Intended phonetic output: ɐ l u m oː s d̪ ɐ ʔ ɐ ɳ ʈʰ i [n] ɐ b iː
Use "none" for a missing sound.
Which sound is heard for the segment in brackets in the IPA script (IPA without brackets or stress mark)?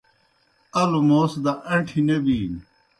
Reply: n